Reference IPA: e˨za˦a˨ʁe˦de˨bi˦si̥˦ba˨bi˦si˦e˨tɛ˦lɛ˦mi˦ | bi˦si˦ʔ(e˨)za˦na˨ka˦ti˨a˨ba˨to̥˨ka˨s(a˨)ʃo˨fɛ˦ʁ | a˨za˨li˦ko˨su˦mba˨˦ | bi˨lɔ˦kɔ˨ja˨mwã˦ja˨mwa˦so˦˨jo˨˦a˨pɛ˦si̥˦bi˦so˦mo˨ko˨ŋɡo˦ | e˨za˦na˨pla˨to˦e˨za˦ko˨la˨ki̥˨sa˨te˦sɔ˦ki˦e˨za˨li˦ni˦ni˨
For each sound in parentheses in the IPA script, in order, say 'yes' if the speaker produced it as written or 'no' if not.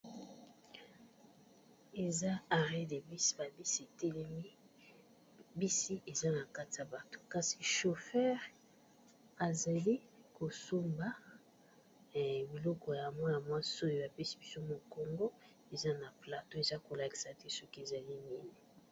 yes, no

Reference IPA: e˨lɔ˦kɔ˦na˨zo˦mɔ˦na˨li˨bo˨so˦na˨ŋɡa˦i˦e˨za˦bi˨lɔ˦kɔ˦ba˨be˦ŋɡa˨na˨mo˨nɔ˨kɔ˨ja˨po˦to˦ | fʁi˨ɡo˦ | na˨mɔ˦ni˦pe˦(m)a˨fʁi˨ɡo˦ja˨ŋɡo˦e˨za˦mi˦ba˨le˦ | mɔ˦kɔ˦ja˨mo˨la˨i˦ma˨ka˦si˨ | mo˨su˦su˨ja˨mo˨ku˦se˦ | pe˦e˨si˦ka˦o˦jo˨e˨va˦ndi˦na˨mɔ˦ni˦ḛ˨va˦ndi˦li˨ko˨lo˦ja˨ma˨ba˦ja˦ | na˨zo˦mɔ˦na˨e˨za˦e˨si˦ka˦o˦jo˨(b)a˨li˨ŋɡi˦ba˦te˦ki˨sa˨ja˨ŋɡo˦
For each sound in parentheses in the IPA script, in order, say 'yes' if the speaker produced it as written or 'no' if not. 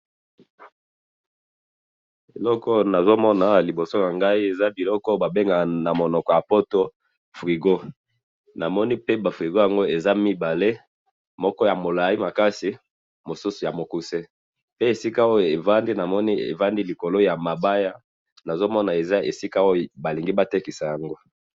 no, yes

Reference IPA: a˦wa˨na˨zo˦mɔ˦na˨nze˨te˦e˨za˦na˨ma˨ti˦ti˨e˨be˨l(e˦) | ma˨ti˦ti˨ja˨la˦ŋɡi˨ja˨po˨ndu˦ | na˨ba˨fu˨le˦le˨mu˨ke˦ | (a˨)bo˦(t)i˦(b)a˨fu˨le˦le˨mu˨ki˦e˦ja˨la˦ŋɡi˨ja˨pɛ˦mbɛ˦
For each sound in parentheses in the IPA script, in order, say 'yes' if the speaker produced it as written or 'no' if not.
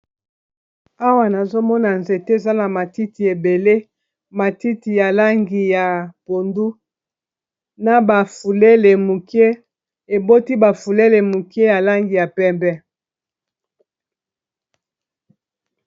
yes, no, yes, yes

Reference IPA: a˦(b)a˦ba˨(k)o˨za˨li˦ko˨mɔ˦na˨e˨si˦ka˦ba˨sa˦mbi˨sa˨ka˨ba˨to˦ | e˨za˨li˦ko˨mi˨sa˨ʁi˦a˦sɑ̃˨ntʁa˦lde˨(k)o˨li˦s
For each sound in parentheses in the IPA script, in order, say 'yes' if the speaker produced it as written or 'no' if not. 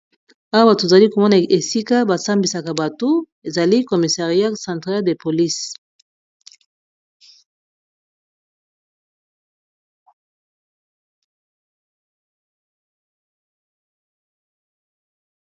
no, no, no

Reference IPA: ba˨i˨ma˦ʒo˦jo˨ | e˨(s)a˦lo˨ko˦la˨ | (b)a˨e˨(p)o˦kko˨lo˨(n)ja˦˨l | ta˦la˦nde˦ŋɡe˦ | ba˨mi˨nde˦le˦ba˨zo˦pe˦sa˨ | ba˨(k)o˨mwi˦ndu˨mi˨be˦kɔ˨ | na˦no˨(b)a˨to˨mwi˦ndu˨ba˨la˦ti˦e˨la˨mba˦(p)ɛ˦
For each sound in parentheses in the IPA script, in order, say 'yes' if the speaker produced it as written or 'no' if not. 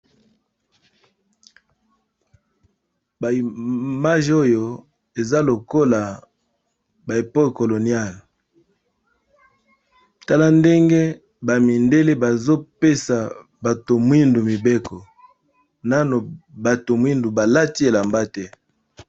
no, yes, yes, yes, no, yes, no

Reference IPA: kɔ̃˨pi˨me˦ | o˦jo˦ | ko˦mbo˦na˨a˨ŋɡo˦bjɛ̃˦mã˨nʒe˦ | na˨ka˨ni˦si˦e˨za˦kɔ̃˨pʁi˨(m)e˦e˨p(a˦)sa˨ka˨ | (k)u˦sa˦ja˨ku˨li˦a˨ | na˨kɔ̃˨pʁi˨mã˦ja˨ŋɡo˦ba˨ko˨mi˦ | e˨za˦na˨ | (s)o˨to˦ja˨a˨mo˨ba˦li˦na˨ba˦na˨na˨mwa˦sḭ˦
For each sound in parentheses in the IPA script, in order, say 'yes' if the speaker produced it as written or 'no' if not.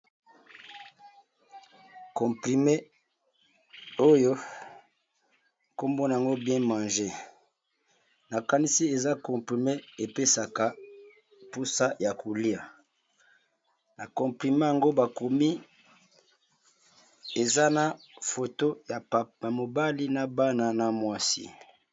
yes, no, no, no

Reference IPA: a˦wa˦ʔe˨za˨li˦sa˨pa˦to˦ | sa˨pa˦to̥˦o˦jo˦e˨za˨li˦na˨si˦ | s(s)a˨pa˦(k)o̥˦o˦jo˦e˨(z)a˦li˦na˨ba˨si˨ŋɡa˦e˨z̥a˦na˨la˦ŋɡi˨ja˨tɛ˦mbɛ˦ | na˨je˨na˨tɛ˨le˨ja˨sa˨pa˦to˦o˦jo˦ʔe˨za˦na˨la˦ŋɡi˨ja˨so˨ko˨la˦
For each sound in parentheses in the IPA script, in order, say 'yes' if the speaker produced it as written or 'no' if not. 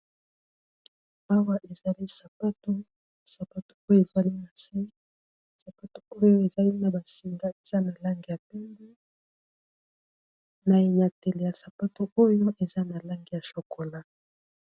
yes, no, yes

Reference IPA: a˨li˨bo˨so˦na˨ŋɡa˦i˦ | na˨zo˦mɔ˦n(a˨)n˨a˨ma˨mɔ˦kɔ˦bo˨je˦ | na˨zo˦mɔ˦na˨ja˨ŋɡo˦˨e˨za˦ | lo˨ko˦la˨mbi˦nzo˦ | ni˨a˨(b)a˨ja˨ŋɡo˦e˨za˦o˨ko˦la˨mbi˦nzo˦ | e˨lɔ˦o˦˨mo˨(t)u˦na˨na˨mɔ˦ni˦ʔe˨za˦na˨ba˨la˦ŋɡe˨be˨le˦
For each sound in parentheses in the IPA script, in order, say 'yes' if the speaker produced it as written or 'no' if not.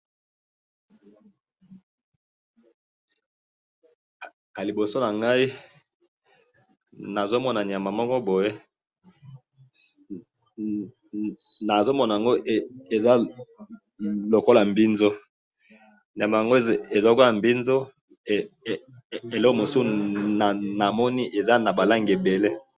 yes, no, no

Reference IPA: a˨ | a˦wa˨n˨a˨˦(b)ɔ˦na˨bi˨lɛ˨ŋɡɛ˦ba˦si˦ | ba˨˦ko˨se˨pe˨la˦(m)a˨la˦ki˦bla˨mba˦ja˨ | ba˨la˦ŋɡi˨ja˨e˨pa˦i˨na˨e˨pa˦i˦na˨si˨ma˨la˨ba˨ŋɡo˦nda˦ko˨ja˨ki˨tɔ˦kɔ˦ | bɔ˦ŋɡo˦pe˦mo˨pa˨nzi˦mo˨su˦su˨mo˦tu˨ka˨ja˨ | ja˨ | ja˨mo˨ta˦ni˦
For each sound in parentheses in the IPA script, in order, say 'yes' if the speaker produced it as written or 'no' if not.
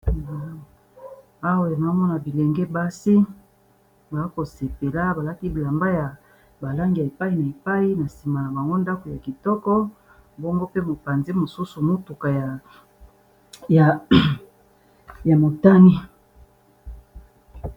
no, no

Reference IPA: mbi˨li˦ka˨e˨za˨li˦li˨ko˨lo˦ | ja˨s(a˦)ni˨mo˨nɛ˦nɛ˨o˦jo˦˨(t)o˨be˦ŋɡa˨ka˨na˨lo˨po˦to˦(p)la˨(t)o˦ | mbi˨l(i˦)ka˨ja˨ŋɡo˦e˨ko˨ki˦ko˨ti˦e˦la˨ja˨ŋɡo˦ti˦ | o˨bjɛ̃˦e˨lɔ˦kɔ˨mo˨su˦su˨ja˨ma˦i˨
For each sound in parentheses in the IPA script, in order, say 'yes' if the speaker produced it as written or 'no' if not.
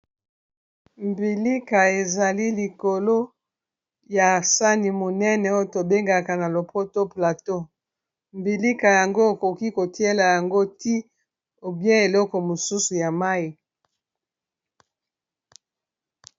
yes, yes, yes, yes, yes

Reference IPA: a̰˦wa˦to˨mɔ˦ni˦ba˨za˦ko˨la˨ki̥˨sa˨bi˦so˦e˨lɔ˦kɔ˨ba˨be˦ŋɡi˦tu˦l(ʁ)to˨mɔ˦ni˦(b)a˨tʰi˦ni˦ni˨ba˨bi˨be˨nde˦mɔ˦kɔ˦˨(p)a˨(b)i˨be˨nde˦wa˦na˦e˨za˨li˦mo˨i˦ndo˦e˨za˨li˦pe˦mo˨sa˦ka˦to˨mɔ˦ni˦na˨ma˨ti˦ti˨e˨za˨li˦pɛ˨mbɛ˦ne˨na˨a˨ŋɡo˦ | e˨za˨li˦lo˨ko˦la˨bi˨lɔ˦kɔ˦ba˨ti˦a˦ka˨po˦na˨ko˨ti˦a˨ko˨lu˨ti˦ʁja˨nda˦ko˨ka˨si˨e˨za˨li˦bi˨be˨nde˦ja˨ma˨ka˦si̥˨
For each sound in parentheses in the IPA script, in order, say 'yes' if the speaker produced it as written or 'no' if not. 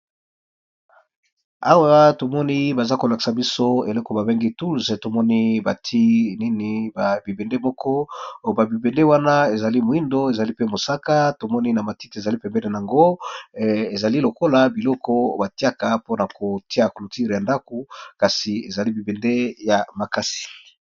no, yes, no, yes

